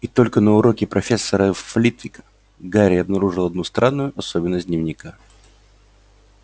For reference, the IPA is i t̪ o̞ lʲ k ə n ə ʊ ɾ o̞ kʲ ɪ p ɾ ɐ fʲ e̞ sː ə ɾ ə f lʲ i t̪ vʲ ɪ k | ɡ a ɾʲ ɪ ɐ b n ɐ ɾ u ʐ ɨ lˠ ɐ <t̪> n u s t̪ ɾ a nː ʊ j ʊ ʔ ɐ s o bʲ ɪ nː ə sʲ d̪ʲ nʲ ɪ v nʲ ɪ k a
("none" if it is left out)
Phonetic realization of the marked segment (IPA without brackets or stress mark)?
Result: d̪